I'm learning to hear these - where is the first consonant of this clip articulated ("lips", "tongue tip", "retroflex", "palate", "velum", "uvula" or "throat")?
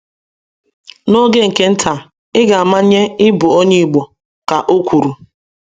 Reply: tongue tip